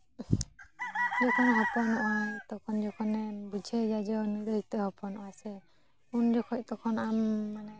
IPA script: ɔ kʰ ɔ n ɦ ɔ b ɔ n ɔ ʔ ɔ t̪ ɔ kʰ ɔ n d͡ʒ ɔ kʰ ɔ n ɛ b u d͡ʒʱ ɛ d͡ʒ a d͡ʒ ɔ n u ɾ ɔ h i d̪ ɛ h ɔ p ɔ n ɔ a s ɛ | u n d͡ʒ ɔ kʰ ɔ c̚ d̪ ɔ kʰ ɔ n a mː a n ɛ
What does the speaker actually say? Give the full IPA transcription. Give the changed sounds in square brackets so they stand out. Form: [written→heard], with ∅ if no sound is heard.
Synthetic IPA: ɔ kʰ ɔ n ɦ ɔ [b→p] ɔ n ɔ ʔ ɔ t̪ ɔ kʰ ɔ n d͡ʒ ɔ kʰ ɔ n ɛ b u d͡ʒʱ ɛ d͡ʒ a d͡ʒ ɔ n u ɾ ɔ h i [d̪→t̪] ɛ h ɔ p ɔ n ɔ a s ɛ | u n d͡ʒ ɔ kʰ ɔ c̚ [d̪→t̪] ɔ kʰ ɔ n a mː a n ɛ

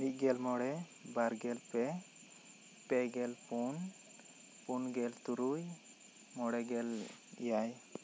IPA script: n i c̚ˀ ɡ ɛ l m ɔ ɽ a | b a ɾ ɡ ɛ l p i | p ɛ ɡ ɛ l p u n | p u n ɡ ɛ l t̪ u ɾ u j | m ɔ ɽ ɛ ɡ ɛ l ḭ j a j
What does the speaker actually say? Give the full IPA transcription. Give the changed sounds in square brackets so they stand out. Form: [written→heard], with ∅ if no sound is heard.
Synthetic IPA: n i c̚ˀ ɡ ɛ l m ɔ ɽ [a→ɛ] | b a ɾ ɡ ɛ l p [i→ɛ] | p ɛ ɡ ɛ l p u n | p u n ɡ ɛ l t̪ u ɾ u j | m ɔ ɽ ɛ ɡ ɛ l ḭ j a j

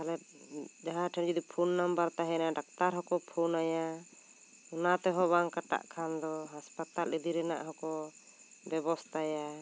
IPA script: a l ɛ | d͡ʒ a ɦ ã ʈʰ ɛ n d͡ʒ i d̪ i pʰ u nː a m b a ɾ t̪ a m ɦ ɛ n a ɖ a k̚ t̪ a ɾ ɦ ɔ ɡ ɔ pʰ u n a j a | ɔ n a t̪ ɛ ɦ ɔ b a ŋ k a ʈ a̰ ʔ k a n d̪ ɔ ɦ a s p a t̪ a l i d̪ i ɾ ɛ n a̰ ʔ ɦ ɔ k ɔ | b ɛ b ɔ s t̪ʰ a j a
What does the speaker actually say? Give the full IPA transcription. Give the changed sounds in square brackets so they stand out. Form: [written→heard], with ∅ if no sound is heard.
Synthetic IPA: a l ɛ | d͡ʒ a ɦ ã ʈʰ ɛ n d͡ʒ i d̪ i pʰ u nː a m b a ɾ t̪ a [m→∅] ɦ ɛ n a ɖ a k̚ t̪ a ɾ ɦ ɔ [ɡ→k] ɔ pʰ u n a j a | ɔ n a t̪ ɛ ɦ ɔ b a ŋ k a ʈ a̰ ʔ [k→kʰ] a n d̪ ɔ ɦ a s p a t̪ a l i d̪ i ɾ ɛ n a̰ ʔ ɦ ɔ k ɔ | b ɛ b ɔ s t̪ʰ a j a

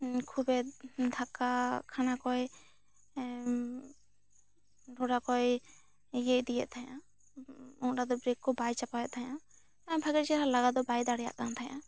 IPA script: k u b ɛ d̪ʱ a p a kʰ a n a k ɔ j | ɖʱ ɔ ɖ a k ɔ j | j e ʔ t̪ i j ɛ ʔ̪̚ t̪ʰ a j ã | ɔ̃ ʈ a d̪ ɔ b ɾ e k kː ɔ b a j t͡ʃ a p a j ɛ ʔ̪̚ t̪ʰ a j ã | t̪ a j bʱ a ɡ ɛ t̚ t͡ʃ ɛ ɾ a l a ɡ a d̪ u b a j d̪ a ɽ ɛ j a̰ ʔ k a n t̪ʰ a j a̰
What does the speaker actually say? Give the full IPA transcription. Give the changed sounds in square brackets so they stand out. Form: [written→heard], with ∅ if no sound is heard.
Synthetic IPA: [k→kʰ] u b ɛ d̪ʱ a [p→k] a kʰ a n a k ɔ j | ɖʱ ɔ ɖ a k ɔ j | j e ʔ [t̪→d̪] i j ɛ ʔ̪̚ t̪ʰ a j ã | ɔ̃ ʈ a d̪ ɔ b ɾ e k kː ɔ b a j t͡ʃ a p a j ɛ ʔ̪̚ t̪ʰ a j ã | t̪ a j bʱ a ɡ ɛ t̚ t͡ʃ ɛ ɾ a l a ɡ a d̪ [u→ɔ] b a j d̪ a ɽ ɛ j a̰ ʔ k a n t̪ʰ a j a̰

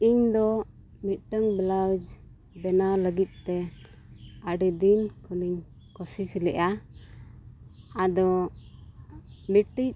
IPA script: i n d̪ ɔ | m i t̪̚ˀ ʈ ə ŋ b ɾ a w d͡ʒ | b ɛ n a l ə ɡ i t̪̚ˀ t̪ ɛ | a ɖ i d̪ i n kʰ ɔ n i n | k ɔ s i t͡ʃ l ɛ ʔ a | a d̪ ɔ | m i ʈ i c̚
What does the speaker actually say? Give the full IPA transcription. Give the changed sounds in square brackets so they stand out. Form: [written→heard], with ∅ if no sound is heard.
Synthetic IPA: i [n→ɲ] d̪ ɔ | m i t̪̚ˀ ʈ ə ŋ b [ɾ→l] a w d͡ʒ | b ɛ n a l ə ɡ i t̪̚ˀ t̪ ɛ | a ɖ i d̪ i n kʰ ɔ n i [n→ɲ] | k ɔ s i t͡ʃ l ɛ ʔ a | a d̪ ɔ | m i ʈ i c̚

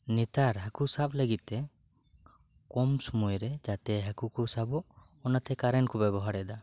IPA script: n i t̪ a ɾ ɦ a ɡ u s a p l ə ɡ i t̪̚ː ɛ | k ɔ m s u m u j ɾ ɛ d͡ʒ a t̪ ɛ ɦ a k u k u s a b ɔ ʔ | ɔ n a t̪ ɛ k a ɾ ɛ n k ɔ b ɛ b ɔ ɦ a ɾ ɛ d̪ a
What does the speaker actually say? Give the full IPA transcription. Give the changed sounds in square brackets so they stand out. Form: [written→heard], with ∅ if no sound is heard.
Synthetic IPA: n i t̪ a ɾ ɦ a [ɡ→k] u s a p l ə ɡ i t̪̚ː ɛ | k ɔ m s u m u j ɾ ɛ d͡ʒ a t̪ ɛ ɦ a k u k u s a b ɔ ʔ | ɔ n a t̪ ɛ k a ɾ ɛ n k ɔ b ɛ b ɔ ɦ a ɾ ɛ d̪ a

